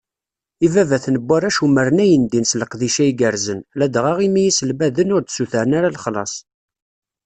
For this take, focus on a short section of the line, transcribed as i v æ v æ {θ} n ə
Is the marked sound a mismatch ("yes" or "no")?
no